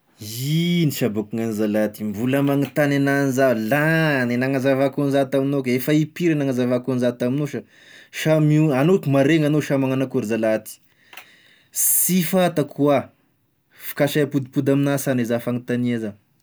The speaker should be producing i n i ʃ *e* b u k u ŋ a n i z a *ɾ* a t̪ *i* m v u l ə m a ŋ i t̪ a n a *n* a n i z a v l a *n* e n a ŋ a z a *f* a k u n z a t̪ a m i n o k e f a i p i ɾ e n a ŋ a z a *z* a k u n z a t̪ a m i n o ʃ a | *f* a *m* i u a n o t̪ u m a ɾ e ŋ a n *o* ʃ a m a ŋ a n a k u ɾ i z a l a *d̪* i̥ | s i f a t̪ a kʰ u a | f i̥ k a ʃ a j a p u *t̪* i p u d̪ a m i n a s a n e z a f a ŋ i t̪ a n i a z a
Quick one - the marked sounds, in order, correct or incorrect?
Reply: incorrect, incorrect, correct, correct, correct, incorrect, incorrect, incorrect, correct, correct, incorrect, incorrect

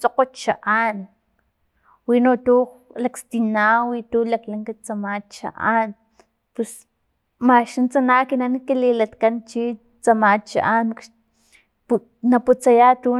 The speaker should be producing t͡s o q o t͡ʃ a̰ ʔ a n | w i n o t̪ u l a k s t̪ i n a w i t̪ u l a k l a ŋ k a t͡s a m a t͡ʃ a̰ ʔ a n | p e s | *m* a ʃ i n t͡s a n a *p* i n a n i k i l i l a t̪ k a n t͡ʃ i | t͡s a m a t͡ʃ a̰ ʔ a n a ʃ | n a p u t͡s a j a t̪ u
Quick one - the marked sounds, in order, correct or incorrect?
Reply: correct, incorrect

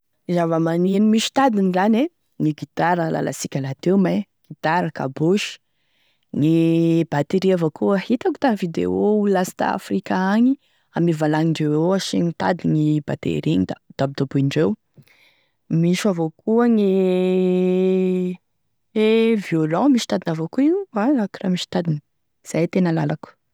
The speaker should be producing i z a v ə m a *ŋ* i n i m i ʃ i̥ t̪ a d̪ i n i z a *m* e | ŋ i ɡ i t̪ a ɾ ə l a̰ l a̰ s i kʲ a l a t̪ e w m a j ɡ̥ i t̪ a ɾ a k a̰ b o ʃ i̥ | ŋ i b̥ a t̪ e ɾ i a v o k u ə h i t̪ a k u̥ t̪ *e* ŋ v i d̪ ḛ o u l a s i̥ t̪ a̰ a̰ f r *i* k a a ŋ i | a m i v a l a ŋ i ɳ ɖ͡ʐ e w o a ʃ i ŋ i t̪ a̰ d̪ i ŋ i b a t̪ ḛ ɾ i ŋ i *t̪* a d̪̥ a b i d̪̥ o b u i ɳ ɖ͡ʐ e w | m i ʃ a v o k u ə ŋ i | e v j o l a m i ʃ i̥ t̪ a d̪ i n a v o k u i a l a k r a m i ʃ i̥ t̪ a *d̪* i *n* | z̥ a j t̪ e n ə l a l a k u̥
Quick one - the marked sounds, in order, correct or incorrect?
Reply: incorrect, incorrect, incorrect, correct, incorrect, correct, correct

